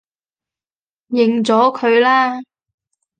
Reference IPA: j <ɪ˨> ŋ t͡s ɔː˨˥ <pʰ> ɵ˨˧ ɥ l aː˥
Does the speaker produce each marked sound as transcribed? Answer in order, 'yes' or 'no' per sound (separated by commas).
yes, no